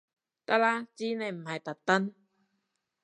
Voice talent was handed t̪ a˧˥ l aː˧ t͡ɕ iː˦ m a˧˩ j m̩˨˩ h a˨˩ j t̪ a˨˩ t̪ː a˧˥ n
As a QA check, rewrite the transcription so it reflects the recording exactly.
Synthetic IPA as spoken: t̪ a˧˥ l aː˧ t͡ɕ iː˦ n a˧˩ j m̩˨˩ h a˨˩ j t̪ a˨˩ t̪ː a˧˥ n